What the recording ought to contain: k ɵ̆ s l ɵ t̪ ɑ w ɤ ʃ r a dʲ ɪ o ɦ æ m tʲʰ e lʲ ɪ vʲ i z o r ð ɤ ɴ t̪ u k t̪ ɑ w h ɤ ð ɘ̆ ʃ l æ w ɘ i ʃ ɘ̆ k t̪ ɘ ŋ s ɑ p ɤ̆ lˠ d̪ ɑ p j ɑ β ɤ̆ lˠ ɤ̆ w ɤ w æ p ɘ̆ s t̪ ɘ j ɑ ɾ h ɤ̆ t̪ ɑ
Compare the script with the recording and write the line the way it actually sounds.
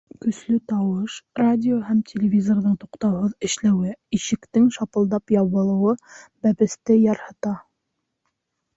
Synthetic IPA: k ɵ̆ s l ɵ t̪ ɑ w ɤ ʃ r a dʲ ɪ o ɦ æ m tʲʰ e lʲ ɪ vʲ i z o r ð ɤ ɴ t̪ u q t̪ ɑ w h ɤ ð ɘ̆ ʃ l æ w ɘ i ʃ ɘ̆ k t̪ ɘ ŋ ʃ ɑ p ɤ̆ lˠ d̪ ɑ p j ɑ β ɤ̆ lˠ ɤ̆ w ɤ b æ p ɘ̆ s t̪ ɘ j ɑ ɾ h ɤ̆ t̪ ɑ